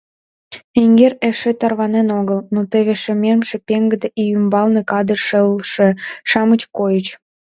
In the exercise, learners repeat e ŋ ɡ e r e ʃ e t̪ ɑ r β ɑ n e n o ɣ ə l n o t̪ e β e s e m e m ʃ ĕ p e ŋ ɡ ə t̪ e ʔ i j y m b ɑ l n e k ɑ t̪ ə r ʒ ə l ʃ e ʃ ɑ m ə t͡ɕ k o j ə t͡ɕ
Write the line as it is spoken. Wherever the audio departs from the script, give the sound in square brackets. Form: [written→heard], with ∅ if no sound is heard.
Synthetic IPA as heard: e ŋ ɡ e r e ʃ e t̪ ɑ r β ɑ n e n o ɣ ə l n o t̪ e β e [s→ʃ] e m e m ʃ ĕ p e ŋ ɡ ə [t̪→d̪] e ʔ i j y m b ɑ l n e k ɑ [t̪→d̪] ə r [ʒ→ʃ] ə l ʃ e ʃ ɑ m ə t͡ɕ k o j ə t͡ɕ